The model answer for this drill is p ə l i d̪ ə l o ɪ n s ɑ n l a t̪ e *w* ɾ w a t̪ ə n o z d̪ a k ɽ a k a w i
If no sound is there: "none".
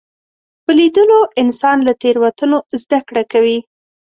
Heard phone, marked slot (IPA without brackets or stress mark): none